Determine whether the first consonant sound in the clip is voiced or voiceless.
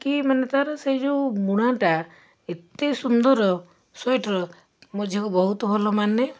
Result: voiceless